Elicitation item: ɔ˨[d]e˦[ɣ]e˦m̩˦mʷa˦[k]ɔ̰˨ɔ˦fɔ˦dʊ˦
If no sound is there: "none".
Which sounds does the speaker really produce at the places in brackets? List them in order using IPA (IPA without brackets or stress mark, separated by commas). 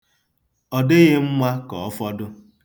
d, ɣ, k